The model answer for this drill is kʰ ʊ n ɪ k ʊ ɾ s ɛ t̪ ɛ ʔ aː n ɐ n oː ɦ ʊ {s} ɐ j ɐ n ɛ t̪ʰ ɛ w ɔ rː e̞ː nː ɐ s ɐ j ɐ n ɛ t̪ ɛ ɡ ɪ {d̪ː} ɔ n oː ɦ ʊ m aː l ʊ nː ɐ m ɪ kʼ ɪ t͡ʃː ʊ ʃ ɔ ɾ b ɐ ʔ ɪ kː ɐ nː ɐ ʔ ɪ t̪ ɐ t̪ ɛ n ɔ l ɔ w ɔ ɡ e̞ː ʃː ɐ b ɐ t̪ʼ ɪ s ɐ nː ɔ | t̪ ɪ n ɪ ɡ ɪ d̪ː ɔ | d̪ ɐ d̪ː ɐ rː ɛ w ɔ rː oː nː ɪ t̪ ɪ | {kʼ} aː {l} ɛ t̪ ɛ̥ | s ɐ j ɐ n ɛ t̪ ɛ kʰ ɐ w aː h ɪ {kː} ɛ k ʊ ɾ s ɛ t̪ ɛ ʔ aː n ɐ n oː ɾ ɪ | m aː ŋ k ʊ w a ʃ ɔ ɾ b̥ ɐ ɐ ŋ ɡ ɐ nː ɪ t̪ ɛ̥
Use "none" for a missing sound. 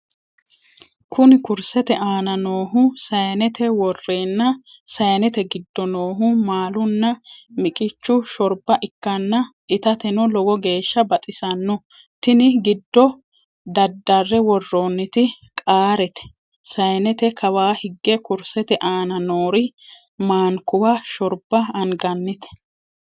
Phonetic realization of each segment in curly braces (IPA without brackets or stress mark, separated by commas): s, d̪ː, kʼ, ɾ, ɡː